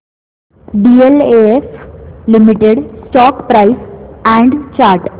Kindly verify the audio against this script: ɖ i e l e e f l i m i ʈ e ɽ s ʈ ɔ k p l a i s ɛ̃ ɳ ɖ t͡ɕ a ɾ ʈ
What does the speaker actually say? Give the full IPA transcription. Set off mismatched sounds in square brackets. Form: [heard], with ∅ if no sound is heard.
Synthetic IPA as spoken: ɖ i e l e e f l i m i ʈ e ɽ s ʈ ɔ k p [ɾ] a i s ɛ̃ ɳ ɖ t͡ɕ a ɾ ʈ